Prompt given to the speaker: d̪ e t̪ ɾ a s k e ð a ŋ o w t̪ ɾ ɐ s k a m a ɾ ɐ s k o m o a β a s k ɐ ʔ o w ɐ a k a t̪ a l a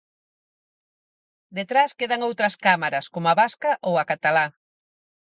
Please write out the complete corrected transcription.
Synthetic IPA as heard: d̪ e t̪ ɾ a s k e ð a ŋ o w t̪ ɾ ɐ s k a m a ɾ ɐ s k o m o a β a s k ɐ ʔ o w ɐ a k a t̪ a l a